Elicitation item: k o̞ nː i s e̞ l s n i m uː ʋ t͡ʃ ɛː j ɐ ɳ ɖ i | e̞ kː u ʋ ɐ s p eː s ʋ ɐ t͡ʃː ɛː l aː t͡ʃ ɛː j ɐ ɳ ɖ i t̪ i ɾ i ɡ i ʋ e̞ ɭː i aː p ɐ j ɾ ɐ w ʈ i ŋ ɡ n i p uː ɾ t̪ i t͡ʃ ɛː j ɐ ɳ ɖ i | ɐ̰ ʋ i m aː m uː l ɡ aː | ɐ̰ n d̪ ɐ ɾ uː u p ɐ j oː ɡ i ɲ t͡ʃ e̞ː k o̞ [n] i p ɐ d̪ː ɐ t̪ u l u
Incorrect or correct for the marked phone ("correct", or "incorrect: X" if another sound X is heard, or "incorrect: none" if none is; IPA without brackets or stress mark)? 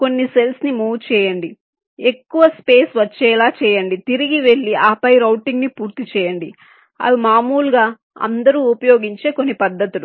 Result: incorrect: nː